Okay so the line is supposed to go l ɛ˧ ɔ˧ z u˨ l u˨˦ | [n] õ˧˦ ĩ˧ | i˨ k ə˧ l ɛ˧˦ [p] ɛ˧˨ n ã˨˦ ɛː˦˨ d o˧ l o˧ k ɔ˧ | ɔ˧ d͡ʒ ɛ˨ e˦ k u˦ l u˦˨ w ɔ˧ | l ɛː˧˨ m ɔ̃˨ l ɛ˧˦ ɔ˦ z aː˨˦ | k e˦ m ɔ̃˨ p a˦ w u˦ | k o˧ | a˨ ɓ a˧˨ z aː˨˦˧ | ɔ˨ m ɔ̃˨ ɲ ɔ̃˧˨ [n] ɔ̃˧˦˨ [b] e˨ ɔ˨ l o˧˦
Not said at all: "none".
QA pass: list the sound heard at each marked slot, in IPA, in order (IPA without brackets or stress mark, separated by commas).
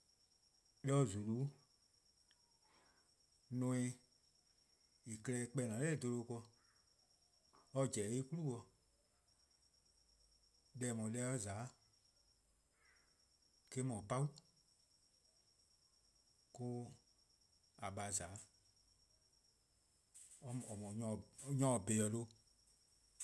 n, k͡p, ɲ, b